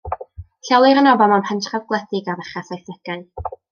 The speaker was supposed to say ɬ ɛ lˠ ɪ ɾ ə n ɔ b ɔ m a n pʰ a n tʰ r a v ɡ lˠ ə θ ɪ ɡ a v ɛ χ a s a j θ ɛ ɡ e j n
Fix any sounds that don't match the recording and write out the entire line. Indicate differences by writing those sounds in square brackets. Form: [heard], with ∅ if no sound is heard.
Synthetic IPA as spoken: ɬ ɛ lˠ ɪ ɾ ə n ɔ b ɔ m a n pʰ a n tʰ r a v ɡ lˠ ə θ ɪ ɡ a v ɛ χ a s a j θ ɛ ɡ [a] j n